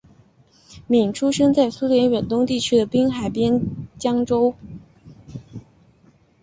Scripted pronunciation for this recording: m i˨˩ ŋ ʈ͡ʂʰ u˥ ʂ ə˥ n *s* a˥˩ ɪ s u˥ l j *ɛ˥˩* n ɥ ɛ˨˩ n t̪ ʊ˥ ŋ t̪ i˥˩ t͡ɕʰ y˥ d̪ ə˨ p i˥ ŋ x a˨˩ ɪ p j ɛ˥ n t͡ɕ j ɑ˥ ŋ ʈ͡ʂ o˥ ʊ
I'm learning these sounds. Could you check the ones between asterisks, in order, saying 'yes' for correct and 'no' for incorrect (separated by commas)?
no, no